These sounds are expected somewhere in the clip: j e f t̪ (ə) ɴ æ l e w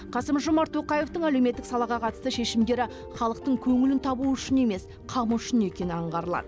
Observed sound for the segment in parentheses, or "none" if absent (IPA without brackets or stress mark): ə